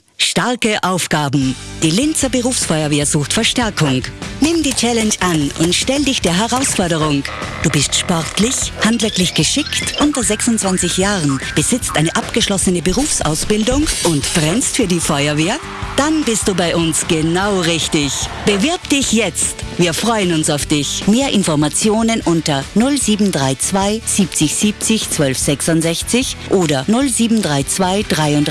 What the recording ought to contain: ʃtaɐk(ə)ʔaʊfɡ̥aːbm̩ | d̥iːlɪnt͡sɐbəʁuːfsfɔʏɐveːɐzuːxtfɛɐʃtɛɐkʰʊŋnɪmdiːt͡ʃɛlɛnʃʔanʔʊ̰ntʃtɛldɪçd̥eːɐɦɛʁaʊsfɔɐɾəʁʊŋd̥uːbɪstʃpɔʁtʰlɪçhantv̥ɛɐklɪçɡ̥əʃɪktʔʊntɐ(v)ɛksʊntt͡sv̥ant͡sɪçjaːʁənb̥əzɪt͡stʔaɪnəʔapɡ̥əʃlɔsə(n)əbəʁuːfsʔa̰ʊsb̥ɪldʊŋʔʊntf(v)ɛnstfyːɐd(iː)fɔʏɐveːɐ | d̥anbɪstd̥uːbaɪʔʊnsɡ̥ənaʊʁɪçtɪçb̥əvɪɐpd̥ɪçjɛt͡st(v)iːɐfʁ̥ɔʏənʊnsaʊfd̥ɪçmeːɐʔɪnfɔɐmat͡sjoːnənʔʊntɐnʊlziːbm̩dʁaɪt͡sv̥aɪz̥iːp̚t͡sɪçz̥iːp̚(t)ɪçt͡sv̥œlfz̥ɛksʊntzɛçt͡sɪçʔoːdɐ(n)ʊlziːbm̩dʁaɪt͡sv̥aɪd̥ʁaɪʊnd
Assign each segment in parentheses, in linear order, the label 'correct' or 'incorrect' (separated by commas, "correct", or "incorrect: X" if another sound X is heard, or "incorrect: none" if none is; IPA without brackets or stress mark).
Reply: correct, incorrect: z, correct, incorrect: ʁ, correct, correct, incorrect: t͡s, correct